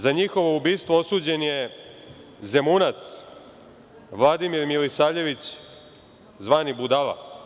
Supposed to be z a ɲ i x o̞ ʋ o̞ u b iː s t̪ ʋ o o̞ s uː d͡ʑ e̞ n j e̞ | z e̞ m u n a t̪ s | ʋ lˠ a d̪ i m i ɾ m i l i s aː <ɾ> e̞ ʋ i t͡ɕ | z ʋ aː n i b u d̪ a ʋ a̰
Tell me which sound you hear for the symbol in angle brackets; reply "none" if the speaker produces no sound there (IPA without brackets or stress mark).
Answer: ʎ